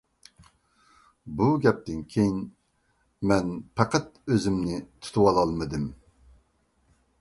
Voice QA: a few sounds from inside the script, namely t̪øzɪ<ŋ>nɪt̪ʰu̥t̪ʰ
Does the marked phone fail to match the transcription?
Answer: yes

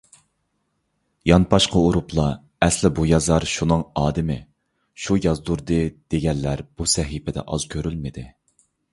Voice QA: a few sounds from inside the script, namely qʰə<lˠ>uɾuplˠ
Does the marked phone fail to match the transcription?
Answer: yes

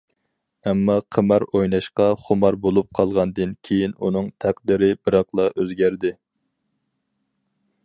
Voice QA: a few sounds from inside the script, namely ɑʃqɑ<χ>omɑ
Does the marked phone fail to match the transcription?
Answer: no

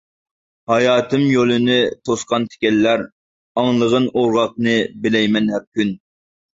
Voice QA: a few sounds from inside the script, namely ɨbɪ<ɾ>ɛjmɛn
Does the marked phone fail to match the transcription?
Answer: yes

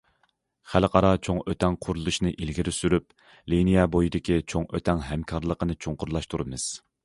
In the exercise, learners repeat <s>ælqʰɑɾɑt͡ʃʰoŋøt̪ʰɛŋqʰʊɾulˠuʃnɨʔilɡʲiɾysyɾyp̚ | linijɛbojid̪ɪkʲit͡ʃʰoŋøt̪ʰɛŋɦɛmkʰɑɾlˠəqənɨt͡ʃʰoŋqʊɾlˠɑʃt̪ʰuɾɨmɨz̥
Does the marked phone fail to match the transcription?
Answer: yes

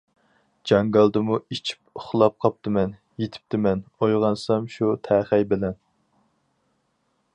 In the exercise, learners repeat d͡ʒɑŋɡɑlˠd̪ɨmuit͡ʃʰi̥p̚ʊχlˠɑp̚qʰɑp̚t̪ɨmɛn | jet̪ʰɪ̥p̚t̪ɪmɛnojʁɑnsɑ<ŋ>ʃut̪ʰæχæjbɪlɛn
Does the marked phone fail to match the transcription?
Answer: yes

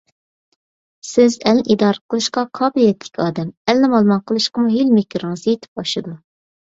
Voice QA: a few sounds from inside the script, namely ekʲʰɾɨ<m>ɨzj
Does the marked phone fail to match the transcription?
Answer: yes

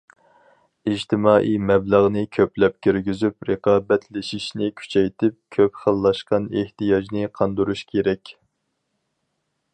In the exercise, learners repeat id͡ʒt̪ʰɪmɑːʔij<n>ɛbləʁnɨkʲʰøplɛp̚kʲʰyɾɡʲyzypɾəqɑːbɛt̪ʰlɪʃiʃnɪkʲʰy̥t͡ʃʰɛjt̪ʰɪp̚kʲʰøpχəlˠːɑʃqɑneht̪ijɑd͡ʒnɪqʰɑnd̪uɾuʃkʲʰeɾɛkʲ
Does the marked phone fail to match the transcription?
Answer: yes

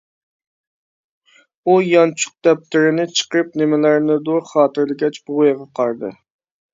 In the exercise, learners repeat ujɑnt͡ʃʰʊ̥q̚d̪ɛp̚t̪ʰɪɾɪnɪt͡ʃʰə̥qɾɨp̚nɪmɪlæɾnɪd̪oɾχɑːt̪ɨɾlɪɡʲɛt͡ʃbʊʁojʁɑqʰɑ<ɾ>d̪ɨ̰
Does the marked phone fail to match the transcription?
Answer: no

